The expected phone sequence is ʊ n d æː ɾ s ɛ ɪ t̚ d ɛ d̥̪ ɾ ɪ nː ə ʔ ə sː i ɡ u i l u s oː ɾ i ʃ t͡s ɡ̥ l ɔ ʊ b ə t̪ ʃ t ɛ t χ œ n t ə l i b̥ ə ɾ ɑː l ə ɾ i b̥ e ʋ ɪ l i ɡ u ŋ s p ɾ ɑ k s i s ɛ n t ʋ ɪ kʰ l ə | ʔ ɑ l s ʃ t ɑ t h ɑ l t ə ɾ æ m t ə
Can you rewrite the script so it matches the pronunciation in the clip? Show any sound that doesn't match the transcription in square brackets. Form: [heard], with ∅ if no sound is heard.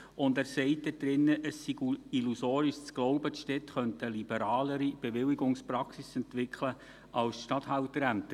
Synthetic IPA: ʊ n d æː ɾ s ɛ ɪ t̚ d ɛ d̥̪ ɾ ɪ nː ə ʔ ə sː i ɡ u i l u s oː ɾ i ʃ t͡s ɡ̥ l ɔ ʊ b ə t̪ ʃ t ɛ t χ œ n t ə l i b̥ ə ɾ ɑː l ə ɾ i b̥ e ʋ ɪ l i ɡ [ʊ] ŋ s p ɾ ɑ k s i s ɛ n t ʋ ɪ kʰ l ə | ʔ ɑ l s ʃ t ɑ t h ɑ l t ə ɾ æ m t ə

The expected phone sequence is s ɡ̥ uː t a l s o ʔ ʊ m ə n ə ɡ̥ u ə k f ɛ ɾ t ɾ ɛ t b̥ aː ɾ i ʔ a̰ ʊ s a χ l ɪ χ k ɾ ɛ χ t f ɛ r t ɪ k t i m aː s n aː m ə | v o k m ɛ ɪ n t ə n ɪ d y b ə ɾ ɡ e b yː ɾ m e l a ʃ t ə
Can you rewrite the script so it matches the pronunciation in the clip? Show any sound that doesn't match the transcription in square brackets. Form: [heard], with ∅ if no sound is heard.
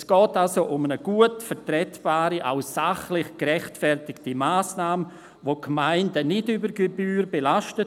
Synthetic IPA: s ɡ̥ [ɔː] t a l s o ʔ ʊ m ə n ə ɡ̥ u ə [t] f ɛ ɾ t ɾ ɛ t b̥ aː ɾ i ʔ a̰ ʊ s a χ l ɪ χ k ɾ ɛ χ t f ɛ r t ɪ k t i m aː s n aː m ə | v o k m [a] ɪ n [d] ə n ɪ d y b ə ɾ ɡ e b yː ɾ [b] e l a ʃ t ə

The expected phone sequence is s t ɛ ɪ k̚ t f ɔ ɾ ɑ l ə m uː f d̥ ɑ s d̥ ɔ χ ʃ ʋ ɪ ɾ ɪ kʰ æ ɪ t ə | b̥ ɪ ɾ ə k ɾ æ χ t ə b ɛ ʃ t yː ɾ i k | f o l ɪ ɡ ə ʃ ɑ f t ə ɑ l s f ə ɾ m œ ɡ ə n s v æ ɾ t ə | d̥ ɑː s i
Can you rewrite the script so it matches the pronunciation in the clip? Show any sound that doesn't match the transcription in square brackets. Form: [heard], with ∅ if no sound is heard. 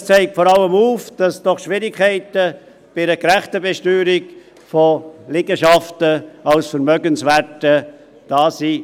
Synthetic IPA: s [t͡s] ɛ ɪ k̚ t f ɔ ɾ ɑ l ə m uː f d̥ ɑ s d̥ ɔ χ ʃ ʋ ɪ ɾ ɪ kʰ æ ɪ t ə | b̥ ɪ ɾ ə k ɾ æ χ t ə b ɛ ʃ t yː ɾ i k | f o l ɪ ɡ ə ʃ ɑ f t ə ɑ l s f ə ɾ m œ ɡ ə n s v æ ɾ t ə | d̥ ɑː s i

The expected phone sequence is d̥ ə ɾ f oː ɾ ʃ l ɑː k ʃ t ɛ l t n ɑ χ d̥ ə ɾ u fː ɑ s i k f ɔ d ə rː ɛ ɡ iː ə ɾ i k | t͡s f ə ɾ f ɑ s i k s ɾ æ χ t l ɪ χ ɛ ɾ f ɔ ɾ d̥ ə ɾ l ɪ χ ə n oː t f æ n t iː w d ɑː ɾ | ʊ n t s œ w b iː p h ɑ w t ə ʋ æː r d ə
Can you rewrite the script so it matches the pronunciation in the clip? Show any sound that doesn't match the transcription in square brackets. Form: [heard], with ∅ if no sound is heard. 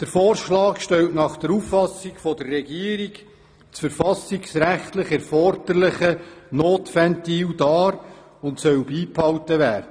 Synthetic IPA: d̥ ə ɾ f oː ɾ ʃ l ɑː k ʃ t ɛ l t n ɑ χ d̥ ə ɾ u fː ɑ s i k f ɔ d ə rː ɛ ɡ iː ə ɾ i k | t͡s f ə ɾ f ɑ s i k s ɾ æ χ t l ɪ χ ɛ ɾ f ɔ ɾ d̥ ə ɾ l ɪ χ ə n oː t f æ n t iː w d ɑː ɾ | ʊ n t s œ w b iː p h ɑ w t ə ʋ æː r d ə

